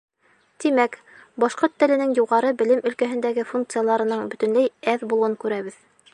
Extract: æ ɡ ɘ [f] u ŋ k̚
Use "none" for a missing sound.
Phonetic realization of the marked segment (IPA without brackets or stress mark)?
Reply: f